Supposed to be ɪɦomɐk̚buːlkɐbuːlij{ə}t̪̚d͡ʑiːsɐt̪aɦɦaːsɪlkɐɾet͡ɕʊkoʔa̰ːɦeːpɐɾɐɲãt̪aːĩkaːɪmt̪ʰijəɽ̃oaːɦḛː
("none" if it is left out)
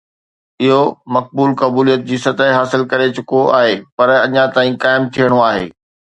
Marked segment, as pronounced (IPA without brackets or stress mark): ə